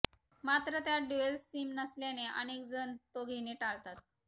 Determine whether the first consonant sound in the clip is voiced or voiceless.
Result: voiced